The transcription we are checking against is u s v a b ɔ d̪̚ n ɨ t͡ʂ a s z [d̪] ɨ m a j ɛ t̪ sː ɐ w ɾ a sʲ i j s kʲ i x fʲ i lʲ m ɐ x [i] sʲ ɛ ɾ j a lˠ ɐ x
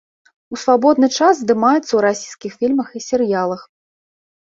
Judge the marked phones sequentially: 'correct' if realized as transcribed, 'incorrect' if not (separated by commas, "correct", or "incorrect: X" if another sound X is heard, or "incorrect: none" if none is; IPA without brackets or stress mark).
correct, correct